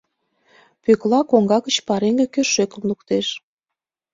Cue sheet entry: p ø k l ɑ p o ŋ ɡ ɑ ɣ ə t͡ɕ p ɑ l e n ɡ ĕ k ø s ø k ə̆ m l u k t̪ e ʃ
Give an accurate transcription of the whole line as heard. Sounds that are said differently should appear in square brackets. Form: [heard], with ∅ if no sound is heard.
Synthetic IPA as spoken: p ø k l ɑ [k] o ŋ ɡ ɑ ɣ ə t͡ɕ p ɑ [ɾ] e [ŋ] ɡ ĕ k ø [ʃ] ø k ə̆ m l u k t̪ e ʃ